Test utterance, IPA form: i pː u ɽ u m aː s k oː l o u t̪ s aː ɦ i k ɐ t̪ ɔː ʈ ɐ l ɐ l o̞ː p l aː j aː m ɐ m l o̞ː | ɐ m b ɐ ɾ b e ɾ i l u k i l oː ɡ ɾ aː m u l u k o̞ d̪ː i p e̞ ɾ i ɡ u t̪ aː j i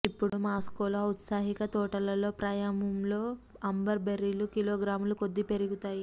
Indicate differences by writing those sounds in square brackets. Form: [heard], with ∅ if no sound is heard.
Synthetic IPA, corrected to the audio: i pː u ɽ u m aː s k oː l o u t̪ s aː ɦ i k ɐ t̪ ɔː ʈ ɐ l ɐ l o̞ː p [ɾ] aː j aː m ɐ m l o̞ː | ɐ m b ɐ ɾ b e ɾ i l u k i l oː ɡ ɾ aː m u l u k o̞ d̪ː i p e̞ ɾ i ɡ u t̪ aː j i